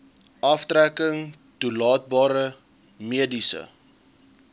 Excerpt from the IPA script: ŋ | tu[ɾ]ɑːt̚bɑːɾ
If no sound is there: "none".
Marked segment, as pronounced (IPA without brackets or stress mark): l